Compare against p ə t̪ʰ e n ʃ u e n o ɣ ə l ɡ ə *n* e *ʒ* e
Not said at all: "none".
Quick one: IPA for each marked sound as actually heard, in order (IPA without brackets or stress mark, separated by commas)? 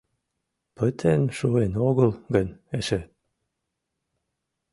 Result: n, ʃ